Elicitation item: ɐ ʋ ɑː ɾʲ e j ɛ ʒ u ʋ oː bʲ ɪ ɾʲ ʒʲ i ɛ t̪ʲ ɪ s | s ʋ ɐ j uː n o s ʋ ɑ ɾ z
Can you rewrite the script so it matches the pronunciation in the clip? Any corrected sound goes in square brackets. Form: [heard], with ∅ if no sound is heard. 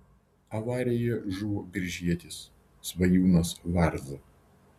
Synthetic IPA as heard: ɐ ʋ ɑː ɾʲ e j ɛ ʒ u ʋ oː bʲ ɪ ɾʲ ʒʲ i ɛ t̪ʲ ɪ s | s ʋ ɐ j uː n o s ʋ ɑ ɾ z